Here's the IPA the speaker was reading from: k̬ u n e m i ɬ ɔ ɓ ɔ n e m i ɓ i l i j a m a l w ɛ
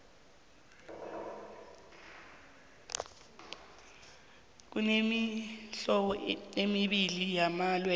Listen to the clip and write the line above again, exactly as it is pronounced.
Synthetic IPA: k̬ u n e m i ɬ ɔ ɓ ɔ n e m i ɓ i l i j a m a l w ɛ